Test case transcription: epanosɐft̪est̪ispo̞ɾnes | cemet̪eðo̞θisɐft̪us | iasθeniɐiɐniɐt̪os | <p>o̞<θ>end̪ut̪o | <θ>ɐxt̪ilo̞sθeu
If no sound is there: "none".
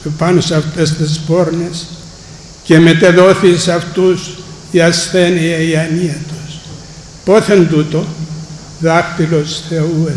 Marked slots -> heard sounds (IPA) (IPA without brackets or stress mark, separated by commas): p, θ, ð